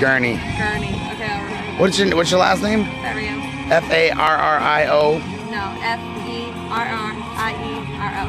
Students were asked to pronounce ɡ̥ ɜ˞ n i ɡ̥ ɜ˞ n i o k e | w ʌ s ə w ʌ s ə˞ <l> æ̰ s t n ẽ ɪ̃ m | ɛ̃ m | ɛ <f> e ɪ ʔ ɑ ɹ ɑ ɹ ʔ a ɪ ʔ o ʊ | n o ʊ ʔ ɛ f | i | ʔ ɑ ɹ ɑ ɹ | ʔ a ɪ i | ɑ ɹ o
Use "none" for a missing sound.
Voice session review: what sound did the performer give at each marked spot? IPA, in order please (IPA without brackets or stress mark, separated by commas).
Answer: l, f